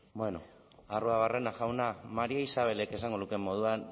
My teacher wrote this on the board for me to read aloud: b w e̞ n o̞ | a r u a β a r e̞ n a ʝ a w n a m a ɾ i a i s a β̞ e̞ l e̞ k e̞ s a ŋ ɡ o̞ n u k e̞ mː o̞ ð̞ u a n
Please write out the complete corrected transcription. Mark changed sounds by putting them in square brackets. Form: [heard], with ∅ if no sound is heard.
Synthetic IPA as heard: b w e̞ n o̞ | a r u a β a r e̞ n a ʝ a w n a m a ɾ i a i s a β̞ e̞ l e̞ k e̞ s a ŋ ɡ o̞ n u k e̞ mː o̞ ð̞ u a n